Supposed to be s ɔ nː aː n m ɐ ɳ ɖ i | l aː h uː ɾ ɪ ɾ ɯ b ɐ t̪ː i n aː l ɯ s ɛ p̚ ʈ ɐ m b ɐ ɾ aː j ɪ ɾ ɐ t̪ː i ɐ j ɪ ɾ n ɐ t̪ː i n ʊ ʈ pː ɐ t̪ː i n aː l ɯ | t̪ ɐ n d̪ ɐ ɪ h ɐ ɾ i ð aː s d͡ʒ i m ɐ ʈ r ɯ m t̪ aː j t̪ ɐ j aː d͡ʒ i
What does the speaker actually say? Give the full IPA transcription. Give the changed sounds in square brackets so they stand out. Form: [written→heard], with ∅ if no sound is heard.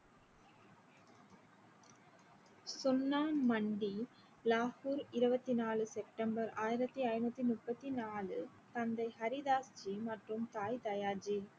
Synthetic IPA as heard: s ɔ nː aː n m ɐ ɳ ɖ i | l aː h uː ɾ ɪ ɾ ɯ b ɐ t̪ː i n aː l ɯ s ɛ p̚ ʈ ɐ m b ɐ ɾ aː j ɪ ɾ ɐ t̪ː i ɐ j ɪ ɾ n ɐ t̪ː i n ʊ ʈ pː ɐ t̪ː i n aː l ɯ | t̪ ɐ n d̪ ɐ ɪ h ɐ ɾ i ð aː s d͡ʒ i m ɐ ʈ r ɯ m t̪ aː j t̪ ɐ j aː d͡ʒ i

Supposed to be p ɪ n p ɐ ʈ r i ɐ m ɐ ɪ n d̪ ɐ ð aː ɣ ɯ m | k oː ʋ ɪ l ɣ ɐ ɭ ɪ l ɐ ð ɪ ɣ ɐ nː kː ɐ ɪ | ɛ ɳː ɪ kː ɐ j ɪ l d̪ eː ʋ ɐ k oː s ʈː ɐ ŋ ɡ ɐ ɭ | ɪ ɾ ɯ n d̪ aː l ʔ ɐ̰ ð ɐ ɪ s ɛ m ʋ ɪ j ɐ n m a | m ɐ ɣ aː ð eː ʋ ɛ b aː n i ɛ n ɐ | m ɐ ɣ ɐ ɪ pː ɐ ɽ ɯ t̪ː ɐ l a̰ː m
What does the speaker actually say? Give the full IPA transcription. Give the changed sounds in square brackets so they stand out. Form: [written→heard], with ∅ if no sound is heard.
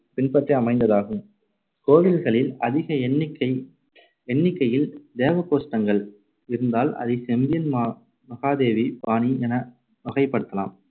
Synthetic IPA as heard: p ɪ n p ɐ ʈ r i ɐ m ɐ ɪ n d̪ ɐ ð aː ɣ ɯ m | k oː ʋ ɪ l ɣ ɐ ɭ ɪ l ɐ ð ɪ ɣ ɐ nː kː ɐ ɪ | ɛ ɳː ɪ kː ɐ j ɪ l d̪ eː ʋ ɐ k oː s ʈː ɐ ŋ ɡ ɐ ɭ | ɪ ɾ ɯ n d̪ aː l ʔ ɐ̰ ð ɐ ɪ s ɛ m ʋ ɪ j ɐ n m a | m ɐ ɣ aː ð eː ʋ [ɛ→i] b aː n i ɛ n ɐ | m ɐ ɣ ɐ ɪ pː ɐ ɽ ɯ t̪ː ɐ l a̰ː m

